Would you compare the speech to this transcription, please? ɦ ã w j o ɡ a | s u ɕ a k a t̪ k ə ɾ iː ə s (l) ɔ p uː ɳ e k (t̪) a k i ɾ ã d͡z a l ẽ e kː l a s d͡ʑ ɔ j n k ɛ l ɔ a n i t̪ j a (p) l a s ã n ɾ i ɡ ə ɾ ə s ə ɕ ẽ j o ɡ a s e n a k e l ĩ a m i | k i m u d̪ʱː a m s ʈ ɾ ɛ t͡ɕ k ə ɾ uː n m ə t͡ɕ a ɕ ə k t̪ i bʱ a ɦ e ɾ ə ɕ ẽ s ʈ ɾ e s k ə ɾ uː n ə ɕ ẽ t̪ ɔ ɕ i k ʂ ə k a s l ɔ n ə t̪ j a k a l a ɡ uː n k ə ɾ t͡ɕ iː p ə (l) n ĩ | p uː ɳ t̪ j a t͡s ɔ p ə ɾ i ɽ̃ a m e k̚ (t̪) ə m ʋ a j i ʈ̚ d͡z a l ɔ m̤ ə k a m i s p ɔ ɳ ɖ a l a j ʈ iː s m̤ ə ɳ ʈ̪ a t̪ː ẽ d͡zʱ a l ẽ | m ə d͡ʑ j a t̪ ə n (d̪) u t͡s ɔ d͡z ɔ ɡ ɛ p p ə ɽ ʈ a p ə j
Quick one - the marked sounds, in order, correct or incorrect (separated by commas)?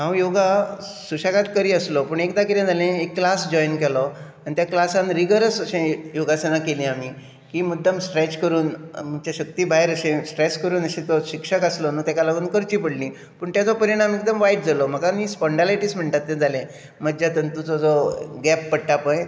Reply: correct, incorrect, incorrect, incorrect, incorrect, incorrect